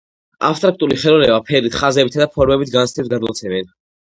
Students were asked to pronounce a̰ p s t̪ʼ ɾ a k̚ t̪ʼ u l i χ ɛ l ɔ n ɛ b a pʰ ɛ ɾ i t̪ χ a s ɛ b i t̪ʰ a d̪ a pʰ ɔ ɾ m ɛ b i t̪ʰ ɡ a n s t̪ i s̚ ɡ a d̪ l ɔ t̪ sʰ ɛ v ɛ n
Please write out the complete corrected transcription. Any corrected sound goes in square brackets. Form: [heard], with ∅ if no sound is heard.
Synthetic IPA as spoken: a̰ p s t̪ʼ ɾ a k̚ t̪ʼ u l i χ ɛ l ɔ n ɛ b a pʰ ɛ ɾ i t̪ χ a [z] ɛ b i t̪ʰ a d̪ a pʰ ɔ ɾ m ɛ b i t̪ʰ ɡ a n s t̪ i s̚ ɡ a d̪ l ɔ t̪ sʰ ɛ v ɛ n